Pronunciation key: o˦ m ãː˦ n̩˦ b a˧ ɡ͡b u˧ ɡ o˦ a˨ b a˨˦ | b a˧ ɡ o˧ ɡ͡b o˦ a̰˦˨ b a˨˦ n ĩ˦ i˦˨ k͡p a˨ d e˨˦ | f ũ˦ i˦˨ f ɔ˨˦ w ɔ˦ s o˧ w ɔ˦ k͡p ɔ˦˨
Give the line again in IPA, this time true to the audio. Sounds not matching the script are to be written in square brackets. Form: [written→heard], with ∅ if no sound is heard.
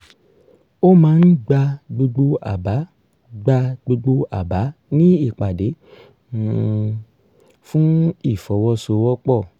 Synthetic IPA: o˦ m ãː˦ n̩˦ [b→ɡ͡b] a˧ ɡ͡b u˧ [ɡ→ɡ͡b] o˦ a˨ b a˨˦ | [b→ɡ͡b] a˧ [ɡ→ɡ͡b] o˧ ɡ͡b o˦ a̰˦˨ b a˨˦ n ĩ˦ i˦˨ k͡p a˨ d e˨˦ | f ũ˦ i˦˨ f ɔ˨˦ w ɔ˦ s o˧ w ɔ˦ k͡p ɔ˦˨